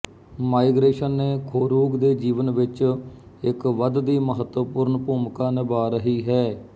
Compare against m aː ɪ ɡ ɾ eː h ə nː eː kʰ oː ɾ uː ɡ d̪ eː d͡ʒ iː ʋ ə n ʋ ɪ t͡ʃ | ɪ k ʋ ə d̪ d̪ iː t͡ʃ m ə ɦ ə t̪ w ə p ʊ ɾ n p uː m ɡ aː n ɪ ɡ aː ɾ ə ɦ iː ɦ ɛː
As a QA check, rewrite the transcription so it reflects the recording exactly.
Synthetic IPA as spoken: m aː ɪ ɡ ɾ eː ʃ ə nː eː kʰ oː ɾ uː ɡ d̪ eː d͡ʒ iː ʋ ə n ʋ ɪ t͡ʃ | ɪ k ʋ ə d̪ d̪ iː m ə ɦ ə t̪ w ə p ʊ ɾ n p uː m k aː n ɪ b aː ɾ ə ɦ iː ɦ ɛː